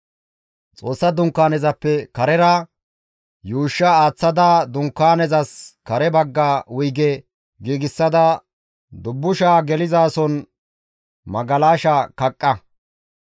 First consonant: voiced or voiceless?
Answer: voiceless